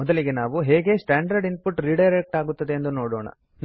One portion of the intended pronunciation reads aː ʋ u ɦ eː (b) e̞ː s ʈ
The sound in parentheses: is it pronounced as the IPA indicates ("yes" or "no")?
no